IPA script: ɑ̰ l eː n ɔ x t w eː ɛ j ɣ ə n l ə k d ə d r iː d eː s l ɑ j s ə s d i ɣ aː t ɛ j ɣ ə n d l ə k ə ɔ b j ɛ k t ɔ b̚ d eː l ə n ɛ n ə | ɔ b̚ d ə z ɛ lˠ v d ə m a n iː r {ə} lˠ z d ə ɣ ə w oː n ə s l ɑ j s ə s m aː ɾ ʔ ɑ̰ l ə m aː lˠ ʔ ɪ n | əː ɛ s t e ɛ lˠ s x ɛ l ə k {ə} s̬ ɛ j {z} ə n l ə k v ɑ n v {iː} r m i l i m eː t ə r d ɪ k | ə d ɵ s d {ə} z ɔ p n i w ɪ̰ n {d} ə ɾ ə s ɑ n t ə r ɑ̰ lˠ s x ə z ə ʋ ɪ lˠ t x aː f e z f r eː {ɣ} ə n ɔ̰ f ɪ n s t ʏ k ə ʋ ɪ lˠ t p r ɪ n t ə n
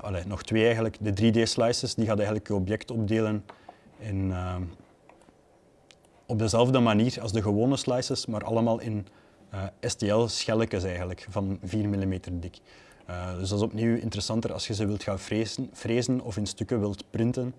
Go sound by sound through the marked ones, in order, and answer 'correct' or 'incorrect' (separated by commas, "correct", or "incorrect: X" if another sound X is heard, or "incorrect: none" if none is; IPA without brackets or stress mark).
incorrect: ɑ, correct, incorrect: ɣ, correct, incorrect: ɑ, incorrect: t, incorrect: z